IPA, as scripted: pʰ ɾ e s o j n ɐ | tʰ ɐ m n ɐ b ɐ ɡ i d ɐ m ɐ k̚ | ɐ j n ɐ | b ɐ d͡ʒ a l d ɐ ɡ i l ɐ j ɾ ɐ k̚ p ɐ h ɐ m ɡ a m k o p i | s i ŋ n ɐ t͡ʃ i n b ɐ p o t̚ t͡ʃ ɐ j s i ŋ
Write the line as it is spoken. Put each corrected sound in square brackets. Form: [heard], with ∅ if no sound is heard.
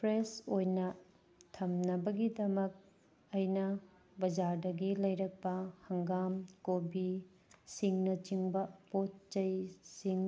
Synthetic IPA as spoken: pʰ ɾ e s o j n ɐ | tʰ ɐ m n ɐ b ɐ ɡ i d ɐ m ɐ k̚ | ɐ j n ɐ | b ɐ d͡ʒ a [ɾ] d ɐ ɡ i l ɐ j ɾ ɐ k̚ p ɐ h ɐ [ŋ] ɡ a m k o [b] i | s i ŋ n ɐ t͡ʃ i [ŋ] b ɐ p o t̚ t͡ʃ ɐ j s i ŋ